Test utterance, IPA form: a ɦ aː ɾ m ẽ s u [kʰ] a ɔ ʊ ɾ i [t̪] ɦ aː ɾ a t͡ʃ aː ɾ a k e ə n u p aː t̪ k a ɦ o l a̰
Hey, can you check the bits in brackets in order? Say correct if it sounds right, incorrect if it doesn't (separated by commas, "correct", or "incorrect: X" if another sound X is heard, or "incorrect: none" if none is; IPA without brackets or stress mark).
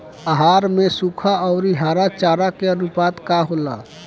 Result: correct, incorrect: none